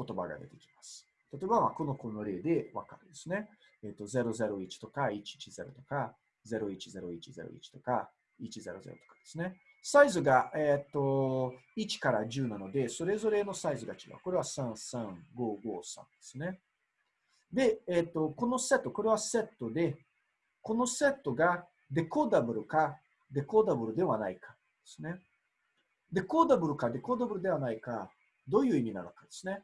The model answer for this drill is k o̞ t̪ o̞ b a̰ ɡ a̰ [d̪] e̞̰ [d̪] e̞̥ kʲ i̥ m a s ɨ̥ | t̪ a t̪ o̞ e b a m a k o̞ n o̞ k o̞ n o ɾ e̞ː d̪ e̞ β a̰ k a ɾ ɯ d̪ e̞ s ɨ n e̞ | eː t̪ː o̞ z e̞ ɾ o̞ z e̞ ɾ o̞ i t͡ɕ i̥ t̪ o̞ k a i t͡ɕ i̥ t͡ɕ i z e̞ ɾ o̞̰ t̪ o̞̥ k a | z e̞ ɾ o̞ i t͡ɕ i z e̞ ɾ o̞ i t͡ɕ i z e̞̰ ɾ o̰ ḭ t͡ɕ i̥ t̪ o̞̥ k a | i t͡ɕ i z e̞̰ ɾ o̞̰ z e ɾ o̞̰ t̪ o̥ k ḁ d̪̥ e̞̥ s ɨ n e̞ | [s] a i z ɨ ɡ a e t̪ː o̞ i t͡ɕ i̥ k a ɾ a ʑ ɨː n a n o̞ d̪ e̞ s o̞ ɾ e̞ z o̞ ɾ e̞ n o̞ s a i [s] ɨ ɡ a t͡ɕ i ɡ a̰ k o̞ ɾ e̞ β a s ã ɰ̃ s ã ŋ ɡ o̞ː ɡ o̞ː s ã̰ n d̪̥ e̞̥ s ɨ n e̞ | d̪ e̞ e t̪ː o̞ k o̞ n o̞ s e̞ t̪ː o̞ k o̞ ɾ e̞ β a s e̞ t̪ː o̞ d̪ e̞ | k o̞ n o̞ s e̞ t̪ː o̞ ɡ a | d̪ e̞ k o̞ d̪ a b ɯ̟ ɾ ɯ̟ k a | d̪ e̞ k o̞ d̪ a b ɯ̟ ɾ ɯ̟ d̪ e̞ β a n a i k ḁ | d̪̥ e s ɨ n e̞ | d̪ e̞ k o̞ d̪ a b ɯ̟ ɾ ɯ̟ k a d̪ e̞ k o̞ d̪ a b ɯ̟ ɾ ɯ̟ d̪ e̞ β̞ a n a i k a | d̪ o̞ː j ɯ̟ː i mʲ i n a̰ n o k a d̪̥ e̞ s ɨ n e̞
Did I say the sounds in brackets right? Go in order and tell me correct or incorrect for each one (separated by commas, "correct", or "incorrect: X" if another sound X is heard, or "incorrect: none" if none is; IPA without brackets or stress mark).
correct, incorrect: t̪, correct, incorrect: z